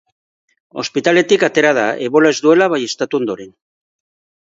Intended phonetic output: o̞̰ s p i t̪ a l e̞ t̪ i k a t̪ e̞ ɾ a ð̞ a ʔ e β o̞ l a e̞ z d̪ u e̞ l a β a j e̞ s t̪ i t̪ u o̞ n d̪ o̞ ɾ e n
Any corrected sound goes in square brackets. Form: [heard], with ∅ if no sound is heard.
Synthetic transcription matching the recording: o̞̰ s p i t̪ a l e̞ t̪ i k a t̪ e̞ ɾ a ð̞ a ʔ e β o̞ l a e̞ z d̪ u e̞ l a β a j e̞ s t̪ [a] t̪ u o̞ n d̪ o̞ ɾ e n